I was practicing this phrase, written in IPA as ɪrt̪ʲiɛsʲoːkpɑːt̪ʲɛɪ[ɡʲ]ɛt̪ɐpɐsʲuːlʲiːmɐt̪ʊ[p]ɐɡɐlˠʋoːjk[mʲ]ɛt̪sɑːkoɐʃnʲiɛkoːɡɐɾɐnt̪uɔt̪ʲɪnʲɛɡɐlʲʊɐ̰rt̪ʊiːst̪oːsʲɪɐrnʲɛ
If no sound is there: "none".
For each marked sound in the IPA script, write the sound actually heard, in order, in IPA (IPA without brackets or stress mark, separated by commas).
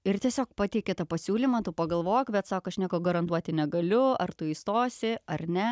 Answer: kʲ, p, bʲ